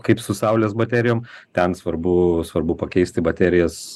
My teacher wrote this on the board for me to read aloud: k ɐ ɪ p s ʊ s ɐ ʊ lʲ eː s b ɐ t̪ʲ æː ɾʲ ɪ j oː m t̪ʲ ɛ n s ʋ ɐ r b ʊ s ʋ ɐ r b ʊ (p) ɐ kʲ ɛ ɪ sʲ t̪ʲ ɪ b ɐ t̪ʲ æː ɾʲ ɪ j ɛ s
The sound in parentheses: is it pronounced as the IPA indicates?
yes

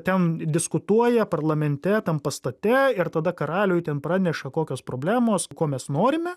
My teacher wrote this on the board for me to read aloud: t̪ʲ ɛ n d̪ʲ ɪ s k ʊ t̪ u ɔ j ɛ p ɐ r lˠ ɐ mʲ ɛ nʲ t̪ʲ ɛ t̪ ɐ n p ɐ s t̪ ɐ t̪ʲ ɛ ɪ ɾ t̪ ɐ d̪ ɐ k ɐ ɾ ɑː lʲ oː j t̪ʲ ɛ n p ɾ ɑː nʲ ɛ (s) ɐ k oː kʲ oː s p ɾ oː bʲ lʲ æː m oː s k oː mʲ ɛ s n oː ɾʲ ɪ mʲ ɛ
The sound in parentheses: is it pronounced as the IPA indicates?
no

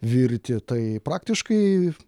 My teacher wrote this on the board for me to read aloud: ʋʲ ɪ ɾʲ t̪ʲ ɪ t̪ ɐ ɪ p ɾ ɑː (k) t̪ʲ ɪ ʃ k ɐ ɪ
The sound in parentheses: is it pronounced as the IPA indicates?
yes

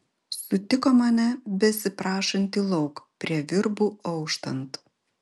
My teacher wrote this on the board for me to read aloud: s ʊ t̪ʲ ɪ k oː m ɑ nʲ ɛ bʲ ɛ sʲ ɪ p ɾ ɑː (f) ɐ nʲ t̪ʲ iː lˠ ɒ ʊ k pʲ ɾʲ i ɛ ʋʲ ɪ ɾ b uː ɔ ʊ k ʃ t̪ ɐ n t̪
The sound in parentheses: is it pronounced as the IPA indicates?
no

